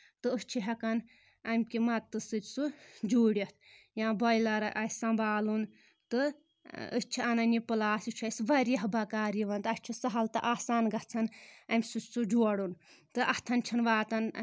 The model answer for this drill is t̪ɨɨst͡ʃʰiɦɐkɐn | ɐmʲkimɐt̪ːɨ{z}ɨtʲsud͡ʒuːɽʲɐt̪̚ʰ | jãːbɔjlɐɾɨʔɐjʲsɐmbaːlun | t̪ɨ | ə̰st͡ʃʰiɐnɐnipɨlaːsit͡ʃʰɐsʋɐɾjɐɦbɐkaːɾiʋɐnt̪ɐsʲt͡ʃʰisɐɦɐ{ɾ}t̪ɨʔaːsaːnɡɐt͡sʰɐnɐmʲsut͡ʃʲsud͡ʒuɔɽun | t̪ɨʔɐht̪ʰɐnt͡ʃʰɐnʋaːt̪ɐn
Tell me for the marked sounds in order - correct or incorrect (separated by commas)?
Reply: incorrect, incorrect